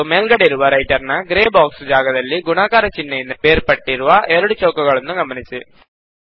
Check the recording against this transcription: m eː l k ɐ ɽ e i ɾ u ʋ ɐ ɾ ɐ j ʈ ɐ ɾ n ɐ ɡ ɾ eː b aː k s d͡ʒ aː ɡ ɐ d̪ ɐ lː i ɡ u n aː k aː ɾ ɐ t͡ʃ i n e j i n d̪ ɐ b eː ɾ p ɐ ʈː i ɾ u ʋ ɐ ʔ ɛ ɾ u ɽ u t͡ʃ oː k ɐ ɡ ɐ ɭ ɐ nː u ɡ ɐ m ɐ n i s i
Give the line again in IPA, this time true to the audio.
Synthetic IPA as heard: m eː l ɡ ɐ ɽ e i ɾ u ʋ ɐ ɾ ɐ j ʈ ɐ ɾ n ɐ ɡ ɾ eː b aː k s d͡ʒ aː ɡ ɐ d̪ ɐ lː i ɡ u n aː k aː ɾ ɐ t͡ʃ i nː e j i n d̪ ɐ b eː ɾ p ɐ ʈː i ɾ u ʋ ɐ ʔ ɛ ɾ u ɽ u t͡ʃ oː k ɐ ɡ ɐ ɭ ɐ nː u ɡ ɐ m ɐ n i s i